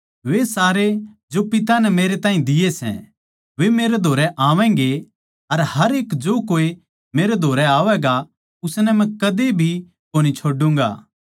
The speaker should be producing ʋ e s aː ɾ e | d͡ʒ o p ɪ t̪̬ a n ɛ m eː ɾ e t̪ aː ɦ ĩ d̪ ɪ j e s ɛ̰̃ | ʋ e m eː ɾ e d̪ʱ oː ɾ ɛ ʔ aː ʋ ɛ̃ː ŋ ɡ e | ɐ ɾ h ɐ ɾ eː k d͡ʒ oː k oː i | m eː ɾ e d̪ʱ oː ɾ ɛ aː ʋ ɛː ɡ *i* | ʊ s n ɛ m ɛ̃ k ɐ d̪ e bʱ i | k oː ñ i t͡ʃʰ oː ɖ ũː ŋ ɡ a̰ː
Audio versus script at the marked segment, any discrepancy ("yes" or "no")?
yes